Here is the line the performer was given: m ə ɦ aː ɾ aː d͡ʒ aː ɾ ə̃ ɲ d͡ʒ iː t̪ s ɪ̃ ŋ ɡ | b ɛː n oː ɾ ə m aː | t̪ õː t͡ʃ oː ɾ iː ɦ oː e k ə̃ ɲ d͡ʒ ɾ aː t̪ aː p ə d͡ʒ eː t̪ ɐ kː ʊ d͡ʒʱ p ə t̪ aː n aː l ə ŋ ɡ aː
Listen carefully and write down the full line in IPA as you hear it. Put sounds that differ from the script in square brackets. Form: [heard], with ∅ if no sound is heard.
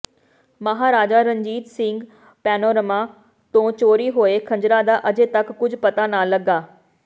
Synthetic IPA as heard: m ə ɦ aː ɾ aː d͡ʒ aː ɾ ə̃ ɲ d͡ʒ iː t̪ s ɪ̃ ŋ ɡ | [p] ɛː n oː ɾ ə m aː | t̪ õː t͡ʃ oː ɾ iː ɦ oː e [kʰ] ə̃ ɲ d͡ʒ ɾ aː [d̪] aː [ʔ] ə d͡ʒ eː t̪ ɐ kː ʊ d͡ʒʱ p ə t̪ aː n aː l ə [∅] ɡ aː